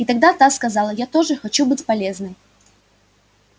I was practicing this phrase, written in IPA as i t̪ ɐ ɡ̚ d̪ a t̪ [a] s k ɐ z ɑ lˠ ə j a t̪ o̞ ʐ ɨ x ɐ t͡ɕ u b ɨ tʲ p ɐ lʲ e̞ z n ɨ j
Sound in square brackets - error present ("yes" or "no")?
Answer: no